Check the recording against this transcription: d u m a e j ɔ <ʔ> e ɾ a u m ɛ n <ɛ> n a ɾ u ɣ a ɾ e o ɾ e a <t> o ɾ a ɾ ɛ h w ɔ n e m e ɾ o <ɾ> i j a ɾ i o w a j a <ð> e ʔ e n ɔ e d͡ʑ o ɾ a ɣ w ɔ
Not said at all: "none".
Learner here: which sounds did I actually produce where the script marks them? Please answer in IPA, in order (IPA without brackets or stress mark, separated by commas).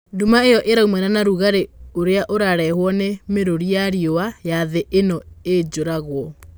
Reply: ʔ, a, ʔ, ɾ, ð